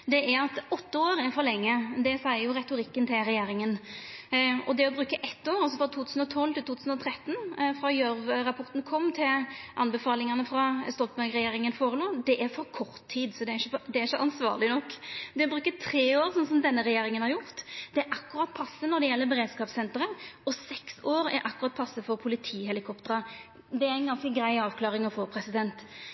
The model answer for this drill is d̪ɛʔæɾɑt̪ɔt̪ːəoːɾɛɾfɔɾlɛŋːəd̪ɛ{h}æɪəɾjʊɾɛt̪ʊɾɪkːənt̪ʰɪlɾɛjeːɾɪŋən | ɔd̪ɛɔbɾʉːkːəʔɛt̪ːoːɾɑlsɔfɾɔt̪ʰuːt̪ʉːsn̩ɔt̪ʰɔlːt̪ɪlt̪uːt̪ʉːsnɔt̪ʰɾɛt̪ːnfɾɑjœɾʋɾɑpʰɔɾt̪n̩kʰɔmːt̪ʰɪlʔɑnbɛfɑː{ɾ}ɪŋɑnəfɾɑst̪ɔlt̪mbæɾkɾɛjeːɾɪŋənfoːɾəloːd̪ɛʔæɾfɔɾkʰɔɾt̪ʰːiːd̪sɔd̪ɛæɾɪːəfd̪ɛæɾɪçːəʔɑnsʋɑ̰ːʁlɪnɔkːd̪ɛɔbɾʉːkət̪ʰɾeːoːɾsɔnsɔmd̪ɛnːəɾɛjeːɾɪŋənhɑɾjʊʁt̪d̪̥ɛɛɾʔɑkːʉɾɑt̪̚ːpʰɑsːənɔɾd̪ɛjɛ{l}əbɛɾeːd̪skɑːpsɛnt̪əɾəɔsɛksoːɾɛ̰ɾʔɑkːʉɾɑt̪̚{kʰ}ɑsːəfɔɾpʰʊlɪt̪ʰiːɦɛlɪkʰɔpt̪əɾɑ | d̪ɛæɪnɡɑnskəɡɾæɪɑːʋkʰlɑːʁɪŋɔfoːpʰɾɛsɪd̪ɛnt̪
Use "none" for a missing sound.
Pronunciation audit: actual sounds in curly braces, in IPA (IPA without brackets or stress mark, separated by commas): s, l, lː, pʰ